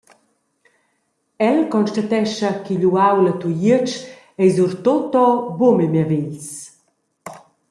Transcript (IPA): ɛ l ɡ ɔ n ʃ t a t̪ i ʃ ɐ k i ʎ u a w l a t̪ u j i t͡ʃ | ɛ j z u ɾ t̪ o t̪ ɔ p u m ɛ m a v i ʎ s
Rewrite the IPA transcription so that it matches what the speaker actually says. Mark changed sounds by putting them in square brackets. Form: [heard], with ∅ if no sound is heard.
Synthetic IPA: ɛ l [k] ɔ n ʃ t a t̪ [ɛ] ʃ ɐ k i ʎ u a w l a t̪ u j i t͡ʃ | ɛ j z u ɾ t̪ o t̪ ɔ [b] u m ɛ m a v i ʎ s